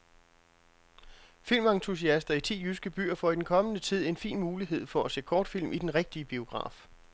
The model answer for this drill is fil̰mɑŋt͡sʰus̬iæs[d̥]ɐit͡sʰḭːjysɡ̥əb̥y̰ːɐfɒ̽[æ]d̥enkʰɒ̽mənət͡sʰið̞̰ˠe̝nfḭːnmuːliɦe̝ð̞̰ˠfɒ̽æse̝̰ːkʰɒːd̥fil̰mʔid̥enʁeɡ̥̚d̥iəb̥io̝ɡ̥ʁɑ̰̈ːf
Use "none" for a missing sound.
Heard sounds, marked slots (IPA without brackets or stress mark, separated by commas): d̥, i